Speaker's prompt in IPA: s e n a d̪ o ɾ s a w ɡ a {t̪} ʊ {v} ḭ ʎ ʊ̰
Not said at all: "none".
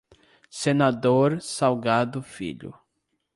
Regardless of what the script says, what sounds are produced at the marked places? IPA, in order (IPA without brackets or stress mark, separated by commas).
d̪, f